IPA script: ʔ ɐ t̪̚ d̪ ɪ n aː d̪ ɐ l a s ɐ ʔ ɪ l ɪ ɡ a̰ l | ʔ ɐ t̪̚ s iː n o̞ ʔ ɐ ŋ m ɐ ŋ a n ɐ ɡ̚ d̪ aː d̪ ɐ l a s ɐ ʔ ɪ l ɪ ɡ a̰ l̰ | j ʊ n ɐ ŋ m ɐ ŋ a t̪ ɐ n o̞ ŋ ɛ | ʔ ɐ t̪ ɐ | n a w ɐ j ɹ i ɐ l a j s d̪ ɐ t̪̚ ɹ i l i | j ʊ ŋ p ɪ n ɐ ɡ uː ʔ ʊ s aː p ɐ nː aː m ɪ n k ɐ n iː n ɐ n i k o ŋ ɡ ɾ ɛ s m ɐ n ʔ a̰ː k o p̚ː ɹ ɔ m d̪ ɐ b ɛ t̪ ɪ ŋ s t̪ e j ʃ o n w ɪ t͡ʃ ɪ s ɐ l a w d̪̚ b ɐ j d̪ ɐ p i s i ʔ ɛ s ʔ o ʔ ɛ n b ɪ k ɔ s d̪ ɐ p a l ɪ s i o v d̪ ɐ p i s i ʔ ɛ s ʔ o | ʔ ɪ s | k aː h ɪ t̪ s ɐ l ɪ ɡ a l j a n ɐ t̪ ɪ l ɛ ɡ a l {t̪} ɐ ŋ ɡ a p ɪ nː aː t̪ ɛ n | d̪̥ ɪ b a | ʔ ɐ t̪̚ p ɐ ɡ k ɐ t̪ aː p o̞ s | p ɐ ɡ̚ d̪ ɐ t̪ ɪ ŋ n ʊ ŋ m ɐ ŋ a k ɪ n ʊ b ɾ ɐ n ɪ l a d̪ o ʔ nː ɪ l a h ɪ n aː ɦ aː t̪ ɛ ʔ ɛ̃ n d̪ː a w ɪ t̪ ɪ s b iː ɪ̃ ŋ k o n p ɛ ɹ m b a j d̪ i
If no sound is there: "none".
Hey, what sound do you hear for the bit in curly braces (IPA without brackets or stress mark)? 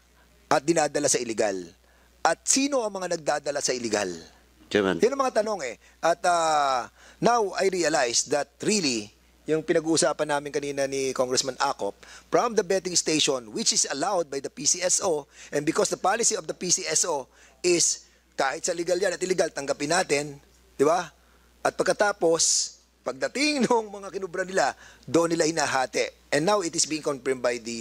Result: t̪